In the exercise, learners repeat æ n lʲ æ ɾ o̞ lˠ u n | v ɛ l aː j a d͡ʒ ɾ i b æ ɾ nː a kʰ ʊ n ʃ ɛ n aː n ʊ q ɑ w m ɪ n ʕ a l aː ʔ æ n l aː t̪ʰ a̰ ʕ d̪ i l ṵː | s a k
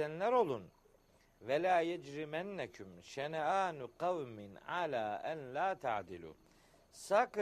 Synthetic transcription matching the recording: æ n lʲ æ ɾ o̞ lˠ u n | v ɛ l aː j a d͡ʒ ɾ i m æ nː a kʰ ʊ m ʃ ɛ n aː n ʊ q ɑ w m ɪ n ʕ a l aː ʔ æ n l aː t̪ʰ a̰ ʕ d̪ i l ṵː | s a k